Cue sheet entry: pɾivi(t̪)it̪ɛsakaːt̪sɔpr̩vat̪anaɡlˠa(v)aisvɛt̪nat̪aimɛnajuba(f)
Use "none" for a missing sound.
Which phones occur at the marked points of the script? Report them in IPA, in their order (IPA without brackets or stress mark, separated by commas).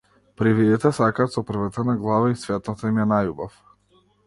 d̪, v, f